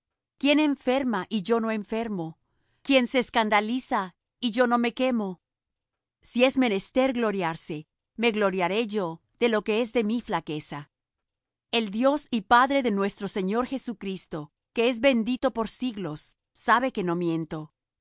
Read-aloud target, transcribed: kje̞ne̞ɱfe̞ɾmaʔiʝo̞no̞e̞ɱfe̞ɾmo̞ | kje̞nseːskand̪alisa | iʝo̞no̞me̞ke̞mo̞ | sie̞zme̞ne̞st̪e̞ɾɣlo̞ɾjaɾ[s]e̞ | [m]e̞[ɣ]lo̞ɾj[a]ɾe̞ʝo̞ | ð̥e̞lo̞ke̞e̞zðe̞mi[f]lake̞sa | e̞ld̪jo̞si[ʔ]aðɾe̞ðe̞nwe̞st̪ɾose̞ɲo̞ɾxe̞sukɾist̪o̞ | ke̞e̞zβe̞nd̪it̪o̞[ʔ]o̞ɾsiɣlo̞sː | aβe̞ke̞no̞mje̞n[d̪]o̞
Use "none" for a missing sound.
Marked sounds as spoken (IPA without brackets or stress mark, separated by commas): s, m, ɣ, a, f, p, p, t̪